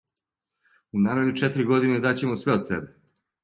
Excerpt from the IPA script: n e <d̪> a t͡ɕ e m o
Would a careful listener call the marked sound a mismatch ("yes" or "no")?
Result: no